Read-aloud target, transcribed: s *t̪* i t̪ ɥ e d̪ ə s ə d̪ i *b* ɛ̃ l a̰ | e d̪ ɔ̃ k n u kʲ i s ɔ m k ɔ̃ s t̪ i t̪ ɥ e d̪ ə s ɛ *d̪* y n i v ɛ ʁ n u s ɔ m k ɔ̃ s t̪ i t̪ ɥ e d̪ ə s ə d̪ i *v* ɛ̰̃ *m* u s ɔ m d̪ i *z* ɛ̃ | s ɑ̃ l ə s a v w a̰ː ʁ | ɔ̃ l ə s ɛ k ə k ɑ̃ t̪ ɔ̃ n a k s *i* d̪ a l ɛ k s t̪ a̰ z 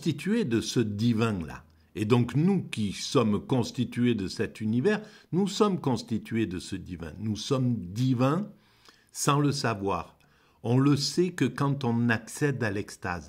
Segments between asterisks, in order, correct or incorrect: correct, incorrect: v, incorrect: t̪, correct, incorrect: n, incorrect: v, incorrect: ɛ

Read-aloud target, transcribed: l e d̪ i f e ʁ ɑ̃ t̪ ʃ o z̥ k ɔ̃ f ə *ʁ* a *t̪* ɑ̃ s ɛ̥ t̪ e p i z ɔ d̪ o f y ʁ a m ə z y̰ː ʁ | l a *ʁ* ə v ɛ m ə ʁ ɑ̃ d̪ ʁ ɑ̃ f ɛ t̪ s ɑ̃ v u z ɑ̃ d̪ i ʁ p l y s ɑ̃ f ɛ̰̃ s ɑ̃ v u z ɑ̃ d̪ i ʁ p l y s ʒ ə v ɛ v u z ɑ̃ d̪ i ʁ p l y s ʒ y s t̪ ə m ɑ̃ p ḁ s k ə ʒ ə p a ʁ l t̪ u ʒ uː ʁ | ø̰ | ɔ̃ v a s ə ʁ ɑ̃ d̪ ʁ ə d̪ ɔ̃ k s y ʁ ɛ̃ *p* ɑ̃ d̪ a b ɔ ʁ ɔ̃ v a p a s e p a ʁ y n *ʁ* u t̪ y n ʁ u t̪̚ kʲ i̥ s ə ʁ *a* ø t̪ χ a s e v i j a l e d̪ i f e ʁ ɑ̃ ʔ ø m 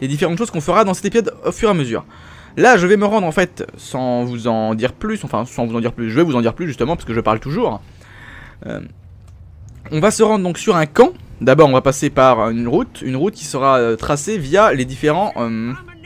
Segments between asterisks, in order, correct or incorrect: correct, incorrect: d̪, incorrect: ʒ, incorrect: k, correct, correct

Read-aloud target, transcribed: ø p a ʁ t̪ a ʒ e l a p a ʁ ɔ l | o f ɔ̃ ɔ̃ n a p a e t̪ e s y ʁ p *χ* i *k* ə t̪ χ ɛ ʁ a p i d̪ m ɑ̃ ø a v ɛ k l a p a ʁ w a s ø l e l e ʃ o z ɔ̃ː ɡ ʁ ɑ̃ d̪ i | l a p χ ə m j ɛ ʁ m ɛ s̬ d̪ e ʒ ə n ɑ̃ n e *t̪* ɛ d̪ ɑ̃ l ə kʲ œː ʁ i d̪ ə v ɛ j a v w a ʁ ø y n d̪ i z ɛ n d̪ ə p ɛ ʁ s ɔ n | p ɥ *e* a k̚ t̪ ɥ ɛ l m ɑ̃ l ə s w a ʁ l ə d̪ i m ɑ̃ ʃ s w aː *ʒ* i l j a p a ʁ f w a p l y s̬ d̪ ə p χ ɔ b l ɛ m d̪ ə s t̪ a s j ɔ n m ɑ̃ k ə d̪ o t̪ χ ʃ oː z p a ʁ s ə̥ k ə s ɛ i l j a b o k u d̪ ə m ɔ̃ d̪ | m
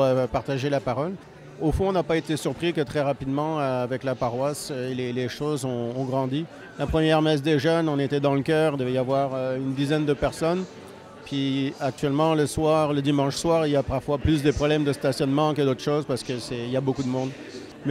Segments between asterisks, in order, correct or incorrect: correct, correct, correct, incorrect: i, incorrect: ʁ

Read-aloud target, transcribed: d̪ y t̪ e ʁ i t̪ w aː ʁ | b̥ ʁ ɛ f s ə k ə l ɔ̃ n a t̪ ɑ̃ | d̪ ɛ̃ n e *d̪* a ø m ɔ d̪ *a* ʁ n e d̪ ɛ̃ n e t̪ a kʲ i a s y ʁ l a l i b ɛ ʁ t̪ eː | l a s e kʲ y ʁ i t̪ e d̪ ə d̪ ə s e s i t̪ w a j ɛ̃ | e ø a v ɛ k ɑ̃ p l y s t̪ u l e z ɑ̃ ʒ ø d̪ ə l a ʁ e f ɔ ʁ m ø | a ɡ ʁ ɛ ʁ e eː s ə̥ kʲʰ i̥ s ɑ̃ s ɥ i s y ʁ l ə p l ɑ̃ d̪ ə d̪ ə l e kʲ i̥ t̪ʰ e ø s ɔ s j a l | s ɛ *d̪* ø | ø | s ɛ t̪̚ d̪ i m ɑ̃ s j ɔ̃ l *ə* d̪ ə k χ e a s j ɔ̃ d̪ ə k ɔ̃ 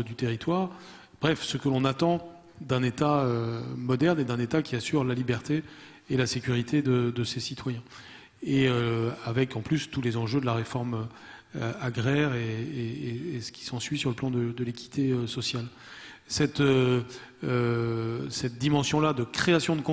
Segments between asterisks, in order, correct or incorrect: incorrect: t̪, incorrect: ɛ, incorrect: t̪, incorrect: a

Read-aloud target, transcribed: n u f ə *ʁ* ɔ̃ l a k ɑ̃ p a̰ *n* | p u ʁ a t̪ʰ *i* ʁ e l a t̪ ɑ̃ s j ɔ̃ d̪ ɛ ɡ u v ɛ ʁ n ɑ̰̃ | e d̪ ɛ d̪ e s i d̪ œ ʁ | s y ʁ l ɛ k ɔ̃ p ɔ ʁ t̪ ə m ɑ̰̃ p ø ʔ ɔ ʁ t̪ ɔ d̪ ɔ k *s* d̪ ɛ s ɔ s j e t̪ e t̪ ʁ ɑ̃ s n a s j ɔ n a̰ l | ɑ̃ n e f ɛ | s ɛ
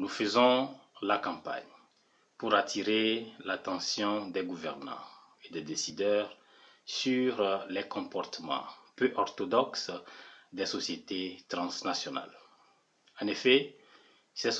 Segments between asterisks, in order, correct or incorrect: incorrect: z, incorrect: ɲ, correct, correct

